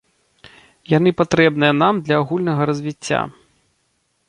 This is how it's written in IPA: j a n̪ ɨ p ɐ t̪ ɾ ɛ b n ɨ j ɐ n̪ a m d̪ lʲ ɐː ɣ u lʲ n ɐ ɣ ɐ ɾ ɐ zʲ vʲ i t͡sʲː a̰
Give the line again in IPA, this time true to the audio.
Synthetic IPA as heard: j a n̪ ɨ p a t̪ ɾ ɛ b n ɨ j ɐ n̪ a m d̪ lʲ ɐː ɣ u lʲ n ɐ ɣ ɐ ɾ ɐ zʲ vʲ i t͡sʲː a̰